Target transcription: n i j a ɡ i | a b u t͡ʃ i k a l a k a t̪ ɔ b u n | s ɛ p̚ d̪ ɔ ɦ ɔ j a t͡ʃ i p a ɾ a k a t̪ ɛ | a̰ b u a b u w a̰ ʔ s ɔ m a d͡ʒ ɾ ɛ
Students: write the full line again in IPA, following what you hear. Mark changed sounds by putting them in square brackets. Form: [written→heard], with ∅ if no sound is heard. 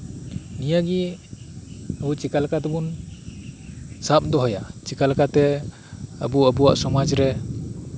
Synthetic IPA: n i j a ɡ i | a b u t͡ʃ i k a l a k a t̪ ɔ b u n | s [ɛ→a] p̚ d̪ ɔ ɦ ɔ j a t͡ʃ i [p→k] a [ɾ→l] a k a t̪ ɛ | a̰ b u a b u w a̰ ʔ s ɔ m a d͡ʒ ɾ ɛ